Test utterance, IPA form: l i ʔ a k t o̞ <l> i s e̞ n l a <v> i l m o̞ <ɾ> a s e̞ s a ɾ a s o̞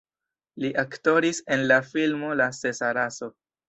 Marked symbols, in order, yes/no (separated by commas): no, no, no